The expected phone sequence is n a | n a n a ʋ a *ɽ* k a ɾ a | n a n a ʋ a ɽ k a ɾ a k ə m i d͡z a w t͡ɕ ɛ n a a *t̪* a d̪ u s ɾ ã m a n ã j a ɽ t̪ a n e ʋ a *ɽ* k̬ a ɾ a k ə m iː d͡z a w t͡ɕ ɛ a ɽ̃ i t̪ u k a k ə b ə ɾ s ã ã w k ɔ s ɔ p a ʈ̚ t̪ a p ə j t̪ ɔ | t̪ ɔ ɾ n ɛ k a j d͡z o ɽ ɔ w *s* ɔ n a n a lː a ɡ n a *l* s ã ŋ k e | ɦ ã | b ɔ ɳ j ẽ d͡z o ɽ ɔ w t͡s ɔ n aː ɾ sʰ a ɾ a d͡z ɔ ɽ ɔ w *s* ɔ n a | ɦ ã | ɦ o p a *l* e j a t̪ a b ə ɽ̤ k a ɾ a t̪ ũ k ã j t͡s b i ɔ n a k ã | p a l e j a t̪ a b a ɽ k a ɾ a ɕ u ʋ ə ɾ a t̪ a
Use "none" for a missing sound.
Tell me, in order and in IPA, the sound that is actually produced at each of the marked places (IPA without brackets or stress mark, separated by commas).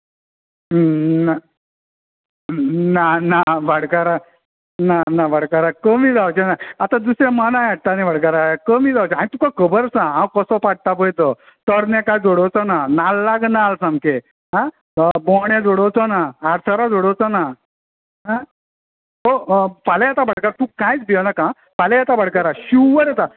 ɽ, t̪, ɽ, t͡s, l, t͡s, l